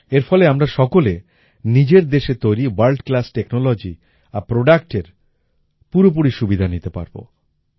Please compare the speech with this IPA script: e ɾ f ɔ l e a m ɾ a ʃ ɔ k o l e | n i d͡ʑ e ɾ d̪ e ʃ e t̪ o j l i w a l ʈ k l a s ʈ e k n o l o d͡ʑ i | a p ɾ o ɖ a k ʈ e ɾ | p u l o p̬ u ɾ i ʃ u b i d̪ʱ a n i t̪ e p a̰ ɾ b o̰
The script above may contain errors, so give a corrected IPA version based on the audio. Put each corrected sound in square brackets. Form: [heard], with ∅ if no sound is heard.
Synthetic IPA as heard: e ɾ f ɔ l e a m ɾ a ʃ ɔ k o l e | n i d͡ʑ e ɾ d̪ e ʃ e t̪ o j [ɾ] i w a l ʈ k l a s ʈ e k n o l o d͡ʑ i | a p ɾ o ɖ a k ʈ e ɾ | p u [ɾ] o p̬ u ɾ i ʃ u b i d̪ʱ a n i t̪ e p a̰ ɾ b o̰